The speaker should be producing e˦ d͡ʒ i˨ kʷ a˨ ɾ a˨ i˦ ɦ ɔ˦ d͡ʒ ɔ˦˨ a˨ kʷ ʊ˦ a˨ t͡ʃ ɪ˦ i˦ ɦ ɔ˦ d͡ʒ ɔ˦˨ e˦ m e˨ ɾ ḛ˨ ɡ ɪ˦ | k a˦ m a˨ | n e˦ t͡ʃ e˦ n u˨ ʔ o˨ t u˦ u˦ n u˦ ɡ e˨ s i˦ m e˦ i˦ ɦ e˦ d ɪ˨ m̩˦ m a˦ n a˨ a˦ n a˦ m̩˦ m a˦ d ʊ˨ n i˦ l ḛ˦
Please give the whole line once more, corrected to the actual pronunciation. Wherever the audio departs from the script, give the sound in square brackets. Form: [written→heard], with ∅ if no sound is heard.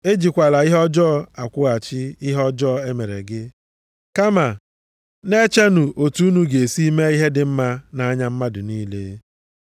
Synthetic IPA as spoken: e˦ d͡ʒ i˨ kʷ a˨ [ɾ→l] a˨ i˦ ɦ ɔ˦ d͡ʒ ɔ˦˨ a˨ kʷ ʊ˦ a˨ t͡ʃ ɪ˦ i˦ ɦ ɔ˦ d͡ʒ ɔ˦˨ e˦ m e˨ ɾ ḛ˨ ɡ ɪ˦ | k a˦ m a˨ | n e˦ t͡ʃ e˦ n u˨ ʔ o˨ t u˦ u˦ n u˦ ɡ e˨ s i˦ m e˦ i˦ ɦ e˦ d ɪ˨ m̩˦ m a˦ n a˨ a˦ [n→ɲ] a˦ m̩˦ m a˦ d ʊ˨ n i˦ l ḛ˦